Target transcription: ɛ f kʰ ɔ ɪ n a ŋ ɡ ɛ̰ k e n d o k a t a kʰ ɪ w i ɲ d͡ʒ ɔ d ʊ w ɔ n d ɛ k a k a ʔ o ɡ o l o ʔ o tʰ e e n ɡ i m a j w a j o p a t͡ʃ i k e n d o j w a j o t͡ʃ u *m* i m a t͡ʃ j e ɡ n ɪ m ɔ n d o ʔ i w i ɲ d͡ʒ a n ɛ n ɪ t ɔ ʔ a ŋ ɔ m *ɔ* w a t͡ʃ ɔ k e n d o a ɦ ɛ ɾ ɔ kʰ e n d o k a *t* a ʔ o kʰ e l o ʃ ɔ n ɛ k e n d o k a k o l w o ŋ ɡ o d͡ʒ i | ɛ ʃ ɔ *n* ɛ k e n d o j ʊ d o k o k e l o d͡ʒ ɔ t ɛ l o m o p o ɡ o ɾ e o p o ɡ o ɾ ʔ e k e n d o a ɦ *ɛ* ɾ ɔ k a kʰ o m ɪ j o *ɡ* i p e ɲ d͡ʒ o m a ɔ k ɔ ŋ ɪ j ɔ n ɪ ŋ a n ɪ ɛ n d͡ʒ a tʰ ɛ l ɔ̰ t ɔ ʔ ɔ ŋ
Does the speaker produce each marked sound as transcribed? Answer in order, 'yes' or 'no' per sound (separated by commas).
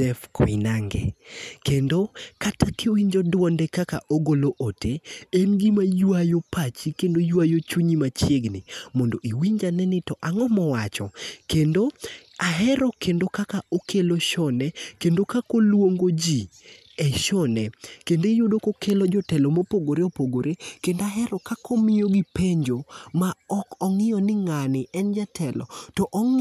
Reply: no, yes, no, yes, yes, yes